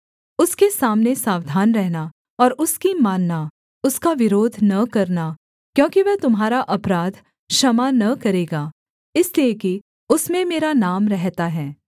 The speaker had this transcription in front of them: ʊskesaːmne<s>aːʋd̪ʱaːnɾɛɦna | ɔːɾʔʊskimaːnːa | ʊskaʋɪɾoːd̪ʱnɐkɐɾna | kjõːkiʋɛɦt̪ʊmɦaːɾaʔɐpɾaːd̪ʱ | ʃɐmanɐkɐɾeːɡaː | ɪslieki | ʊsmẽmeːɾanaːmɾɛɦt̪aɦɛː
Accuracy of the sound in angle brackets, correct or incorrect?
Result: correct